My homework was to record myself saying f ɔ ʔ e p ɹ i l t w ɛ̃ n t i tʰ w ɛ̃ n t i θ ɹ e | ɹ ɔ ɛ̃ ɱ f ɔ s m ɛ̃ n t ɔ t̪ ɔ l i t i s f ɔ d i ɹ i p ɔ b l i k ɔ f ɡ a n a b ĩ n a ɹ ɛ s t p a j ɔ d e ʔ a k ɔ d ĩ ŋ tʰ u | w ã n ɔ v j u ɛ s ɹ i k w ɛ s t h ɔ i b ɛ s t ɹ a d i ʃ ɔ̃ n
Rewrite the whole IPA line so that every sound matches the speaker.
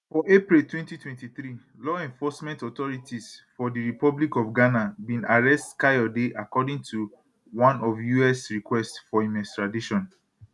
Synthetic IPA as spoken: f ɔ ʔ e p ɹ i l t w ɛ̃ n t i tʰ w ɛ̃ n t i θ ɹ i | l ɔ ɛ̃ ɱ f ɔ s m ɛ̃ n t ɔ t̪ ɔ ɹ i t i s f ɔ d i ɹ i p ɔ b l i k ɔ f ɡ a n a b ĩ n a ɹ ɛ s t k a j ɔ d e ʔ a k ɔ d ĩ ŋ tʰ u | w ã n ɔ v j u ɛ s ɹ i k w ɛ s t f ɔ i m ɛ s t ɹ a d i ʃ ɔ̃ n